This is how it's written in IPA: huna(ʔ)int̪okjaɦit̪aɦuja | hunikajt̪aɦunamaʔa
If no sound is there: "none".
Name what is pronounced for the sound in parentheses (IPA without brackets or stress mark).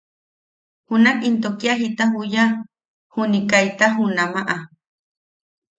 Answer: k